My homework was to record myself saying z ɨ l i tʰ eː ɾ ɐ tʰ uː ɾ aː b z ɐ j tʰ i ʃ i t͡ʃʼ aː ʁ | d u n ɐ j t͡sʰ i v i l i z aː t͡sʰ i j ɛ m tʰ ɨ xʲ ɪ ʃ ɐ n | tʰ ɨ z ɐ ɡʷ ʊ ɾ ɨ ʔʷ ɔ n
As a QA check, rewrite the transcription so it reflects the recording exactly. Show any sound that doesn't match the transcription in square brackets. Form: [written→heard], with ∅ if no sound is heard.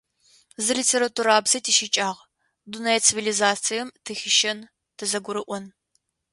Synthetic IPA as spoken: z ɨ l i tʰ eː ɾ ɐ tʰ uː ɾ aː b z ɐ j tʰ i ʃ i t͡ʃʼ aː ʁ | d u n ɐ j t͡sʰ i v i l i z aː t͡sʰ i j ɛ m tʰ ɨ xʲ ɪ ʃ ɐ n | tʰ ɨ z ɐ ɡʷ ʊ ɾ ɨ ʔʷ ɔ n